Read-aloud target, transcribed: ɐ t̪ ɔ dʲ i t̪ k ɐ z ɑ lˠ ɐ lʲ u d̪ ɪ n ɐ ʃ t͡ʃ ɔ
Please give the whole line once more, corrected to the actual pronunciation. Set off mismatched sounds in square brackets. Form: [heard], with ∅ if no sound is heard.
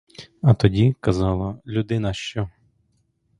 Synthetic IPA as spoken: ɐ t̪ ɔ dʲ i [∅] k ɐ z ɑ lˠ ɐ lʲ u d̪ ɪ n ɐ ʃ t͡ʃ ɔ

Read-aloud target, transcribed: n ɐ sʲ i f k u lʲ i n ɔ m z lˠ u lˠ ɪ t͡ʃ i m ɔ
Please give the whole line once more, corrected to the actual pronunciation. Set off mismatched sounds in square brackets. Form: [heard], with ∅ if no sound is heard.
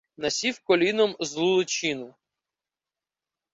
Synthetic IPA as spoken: n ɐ sʲ i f k [ɔ] lʲ i n ɔ m z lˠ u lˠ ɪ t͡ʃ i [n] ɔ

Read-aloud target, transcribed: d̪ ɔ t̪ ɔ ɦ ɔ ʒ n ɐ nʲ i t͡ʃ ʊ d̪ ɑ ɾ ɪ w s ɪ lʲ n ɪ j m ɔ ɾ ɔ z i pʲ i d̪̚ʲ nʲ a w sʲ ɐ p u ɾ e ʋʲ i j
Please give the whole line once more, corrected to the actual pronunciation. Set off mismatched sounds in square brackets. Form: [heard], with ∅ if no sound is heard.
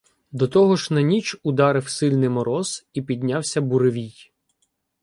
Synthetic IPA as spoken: d̪ ɔ t̪ ɔ ɦ ɔ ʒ n ɐ nʲ i t͡ʃ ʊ d̪ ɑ ɾ ɪ w s ɪ lʲ n ɪ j m ɔ ɾ ɔ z i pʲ i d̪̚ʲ nʲ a w sʲ ɐ [b] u ɾ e ʋʲ i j

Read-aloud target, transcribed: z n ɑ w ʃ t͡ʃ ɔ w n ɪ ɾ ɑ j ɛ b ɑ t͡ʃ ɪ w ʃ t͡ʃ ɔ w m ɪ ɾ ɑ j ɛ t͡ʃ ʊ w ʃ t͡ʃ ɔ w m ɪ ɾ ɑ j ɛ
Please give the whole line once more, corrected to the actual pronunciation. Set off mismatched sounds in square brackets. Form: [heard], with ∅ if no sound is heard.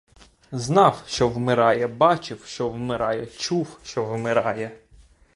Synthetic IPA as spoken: z n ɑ w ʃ t͡ʃ ɔ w [m] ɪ ɾ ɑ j ɛ b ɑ t͡ʃ ɪ w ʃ t͡ʃ ɔ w m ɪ ɾ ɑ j ɛ t͡ʃ [u] w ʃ t͡ʃ ɔ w m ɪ ɾ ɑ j ɛ

